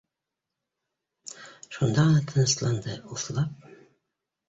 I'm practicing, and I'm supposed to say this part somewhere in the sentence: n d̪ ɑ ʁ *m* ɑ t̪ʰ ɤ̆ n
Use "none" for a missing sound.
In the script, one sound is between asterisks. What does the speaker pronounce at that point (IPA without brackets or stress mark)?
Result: n